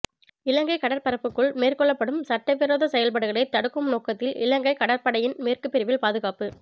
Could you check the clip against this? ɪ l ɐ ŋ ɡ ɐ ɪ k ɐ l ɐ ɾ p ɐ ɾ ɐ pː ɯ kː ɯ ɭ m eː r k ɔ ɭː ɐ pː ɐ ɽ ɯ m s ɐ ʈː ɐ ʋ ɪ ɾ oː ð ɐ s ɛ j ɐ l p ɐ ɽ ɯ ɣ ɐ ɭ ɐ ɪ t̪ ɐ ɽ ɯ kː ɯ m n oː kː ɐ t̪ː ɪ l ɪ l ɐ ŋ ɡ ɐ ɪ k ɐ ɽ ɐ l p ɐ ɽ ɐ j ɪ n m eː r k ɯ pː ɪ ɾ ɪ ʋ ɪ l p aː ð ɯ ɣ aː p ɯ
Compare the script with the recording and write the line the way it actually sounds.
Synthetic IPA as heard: ɪ l ɐ ŋ ɡ ɐ ɪ k ɐ ɽ ɐ ɾ p ɐ ɾ ɐ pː ɯ kː ɯ ɭ m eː r k ɔ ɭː ɐ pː ɐ ɽ ɯ m s ɐ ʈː ɐ ʋ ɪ ɾ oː ð ɐ s ɛ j ɐ l p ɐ ɽ ɯ ɣ ɐ ɭ ɐ ɪ t̪ ɐ ɽ ɯ kː ɯ m n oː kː ɐ t̪ː ɪ l ɪ l ɐ ŋ ɡ ɐ ɪ k ɐ ɽ ɐ ɾ p ɐ ɽ ɐ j ɪ n m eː r k ɯ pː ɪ ɾ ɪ ʋ ɪ l p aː ð ɯ ɣ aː p ɯ